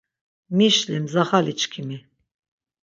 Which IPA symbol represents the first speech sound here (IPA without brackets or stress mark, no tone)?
m